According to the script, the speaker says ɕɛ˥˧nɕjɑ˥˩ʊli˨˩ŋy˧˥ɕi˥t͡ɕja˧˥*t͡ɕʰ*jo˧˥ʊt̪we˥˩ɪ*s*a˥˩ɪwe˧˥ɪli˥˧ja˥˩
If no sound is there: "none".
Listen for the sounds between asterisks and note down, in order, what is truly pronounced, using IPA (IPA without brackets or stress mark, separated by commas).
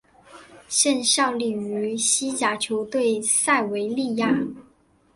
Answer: t͡ɕʰ, s